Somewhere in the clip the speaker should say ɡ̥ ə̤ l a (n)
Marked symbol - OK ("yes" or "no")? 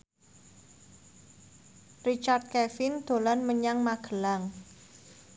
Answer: no